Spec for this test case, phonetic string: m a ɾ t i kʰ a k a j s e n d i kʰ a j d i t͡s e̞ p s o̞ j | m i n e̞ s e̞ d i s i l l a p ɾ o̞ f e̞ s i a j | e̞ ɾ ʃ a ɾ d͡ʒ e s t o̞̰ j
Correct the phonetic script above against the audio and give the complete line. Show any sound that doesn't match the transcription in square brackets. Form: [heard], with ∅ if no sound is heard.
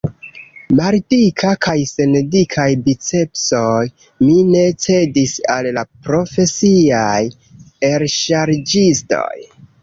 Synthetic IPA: m a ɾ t i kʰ a k a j s e n d i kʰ a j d i t͡s e̞ p s o̞ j | m i n e̞ [t͡s] e̞ d i s [a] l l a p ɾ o̞ f e̞ s i a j | e̞ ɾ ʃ a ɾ d͡ʒ [i] s t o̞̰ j

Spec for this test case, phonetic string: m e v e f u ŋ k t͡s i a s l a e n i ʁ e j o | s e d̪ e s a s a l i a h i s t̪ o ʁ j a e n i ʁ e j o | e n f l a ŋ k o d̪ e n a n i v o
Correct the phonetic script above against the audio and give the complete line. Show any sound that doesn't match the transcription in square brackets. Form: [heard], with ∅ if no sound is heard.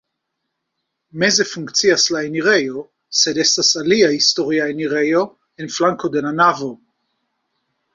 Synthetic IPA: m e [z] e f u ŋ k t͡s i a s l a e n i ʁ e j o | s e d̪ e s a s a l i a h i s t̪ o ʁ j a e n i ʁ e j o | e n f l a ŋ k o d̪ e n a n [a] v o

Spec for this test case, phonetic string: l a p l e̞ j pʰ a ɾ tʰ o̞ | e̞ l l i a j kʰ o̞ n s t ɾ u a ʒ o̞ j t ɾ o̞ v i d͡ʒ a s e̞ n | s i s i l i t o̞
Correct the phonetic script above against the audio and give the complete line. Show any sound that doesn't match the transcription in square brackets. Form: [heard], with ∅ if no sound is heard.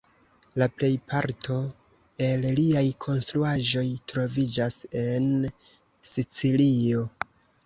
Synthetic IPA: l a p l e̞ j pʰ a ɾ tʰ o̞ | e̞ l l i a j kʰ o̞ n s t ɾ u a ʒ o̞ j t ɾ o̞ v i d͡ʒ a s e̞ n | s i [t͡s] i l i [∅] o̞

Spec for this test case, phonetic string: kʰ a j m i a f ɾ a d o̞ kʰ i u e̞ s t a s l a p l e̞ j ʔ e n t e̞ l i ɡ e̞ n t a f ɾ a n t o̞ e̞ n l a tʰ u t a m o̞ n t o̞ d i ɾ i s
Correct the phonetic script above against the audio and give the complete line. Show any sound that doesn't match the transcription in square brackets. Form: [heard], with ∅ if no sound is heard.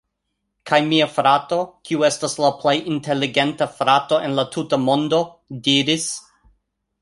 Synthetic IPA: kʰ a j m i a f ɾ a [t] o̞ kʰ i u e̞ s t a s l a p l e̞ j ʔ [i] n t e̞ l i ɡ e̞ n t a f ɾ a [∅] t o̞ e̞ n l a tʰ u t a m o̞ n [d] o̞ d i ɾ i s

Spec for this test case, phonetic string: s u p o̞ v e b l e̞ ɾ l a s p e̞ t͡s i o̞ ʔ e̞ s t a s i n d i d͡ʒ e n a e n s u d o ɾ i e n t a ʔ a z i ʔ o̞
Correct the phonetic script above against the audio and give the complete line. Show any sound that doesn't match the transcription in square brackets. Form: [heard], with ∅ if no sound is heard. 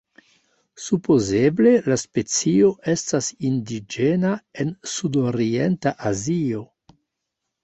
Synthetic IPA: s u p o̞ [z] e b l e̞ [∅] l a s p e̞ t͡s i o̞ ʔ e̞ s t a s i n d i d͡ʒ e n a e n s u d o ɾ i e n t a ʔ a z i [∅] o̞

